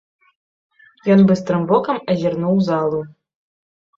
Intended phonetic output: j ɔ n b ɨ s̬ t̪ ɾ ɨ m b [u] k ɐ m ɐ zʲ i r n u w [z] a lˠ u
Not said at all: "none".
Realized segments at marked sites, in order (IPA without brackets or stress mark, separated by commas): ɔ, z